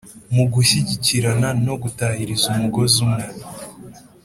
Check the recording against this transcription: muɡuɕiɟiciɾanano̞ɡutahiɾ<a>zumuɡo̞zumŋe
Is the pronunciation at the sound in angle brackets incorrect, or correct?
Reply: incorrect: i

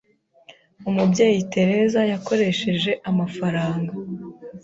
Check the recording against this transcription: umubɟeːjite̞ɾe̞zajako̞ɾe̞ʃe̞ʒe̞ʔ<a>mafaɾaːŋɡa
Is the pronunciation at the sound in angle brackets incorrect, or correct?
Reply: correct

